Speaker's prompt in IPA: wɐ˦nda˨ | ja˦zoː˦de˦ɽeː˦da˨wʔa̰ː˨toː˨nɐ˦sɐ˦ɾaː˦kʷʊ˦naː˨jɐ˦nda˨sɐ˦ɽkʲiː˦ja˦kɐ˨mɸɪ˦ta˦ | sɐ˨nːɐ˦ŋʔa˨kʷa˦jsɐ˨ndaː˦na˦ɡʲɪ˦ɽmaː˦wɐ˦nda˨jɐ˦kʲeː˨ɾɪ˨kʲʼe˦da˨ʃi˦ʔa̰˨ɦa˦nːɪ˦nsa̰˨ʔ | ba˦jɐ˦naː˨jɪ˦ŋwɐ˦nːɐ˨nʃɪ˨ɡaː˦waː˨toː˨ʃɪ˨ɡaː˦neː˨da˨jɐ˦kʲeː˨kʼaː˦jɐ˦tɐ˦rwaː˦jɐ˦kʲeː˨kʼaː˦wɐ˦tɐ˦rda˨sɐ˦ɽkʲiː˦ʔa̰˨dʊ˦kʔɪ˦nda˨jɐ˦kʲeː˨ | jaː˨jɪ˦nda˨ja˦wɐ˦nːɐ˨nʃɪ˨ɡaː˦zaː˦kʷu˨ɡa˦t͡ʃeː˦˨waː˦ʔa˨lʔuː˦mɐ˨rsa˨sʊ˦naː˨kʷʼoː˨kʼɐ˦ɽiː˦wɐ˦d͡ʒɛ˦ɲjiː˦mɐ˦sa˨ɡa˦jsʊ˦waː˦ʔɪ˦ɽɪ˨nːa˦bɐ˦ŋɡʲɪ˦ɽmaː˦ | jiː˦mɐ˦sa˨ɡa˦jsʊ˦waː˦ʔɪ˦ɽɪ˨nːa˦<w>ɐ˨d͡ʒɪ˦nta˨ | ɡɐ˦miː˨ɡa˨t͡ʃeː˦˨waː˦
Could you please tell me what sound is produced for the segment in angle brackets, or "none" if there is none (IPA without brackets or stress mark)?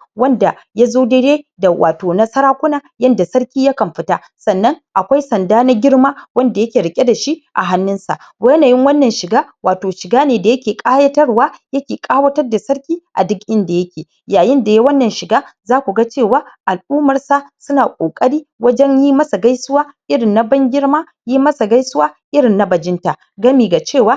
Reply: b